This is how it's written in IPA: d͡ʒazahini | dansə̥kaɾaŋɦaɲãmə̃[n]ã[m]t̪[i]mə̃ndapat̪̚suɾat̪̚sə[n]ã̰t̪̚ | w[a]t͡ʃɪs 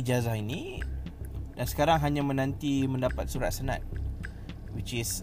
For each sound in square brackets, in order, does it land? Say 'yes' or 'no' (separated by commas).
yes, no, yes, yes, no